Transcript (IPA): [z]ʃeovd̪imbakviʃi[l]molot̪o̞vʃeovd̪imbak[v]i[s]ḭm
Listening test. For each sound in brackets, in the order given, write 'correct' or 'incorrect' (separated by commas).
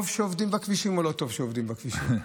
incorrect, incorrect, correct, incorrect